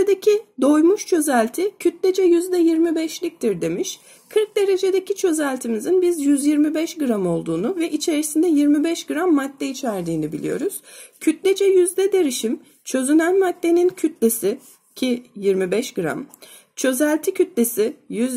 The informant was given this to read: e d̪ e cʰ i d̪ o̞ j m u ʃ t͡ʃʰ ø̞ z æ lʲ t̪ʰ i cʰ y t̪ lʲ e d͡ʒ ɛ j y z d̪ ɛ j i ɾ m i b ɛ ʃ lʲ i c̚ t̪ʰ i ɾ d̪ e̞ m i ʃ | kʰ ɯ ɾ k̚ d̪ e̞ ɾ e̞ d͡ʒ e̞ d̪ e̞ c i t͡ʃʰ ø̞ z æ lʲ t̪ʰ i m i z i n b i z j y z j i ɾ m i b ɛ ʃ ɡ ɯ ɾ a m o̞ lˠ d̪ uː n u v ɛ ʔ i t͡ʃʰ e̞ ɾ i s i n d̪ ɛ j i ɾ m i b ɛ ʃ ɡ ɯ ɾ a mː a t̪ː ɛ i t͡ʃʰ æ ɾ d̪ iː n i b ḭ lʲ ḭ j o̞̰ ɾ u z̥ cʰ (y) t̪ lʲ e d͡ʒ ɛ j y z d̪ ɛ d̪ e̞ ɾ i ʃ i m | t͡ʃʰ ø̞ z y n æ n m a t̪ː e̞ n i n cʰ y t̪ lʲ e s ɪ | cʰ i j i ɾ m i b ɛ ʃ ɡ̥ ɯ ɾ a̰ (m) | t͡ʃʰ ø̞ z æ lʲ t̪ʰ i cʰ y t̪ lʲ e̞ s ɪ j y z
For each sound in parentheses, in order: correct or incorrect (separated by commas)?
correct, correct